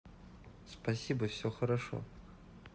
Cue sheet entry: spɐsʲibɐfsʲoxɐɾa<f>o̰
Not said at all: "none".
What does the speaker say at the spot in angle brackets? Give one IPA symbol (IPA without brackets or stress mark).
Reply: ʂ